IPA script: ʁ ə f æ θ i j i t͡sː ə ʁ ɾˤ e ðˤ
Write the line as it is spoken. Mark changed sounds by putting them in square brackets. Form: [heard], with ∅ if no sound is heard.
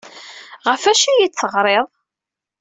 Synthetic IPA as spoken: ʁ ə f æ [ʃ] i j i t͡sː ə ʁ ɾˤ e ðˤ